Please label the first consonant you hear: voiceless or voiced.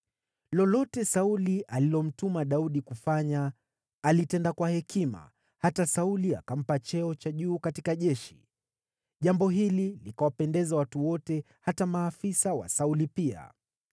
voiced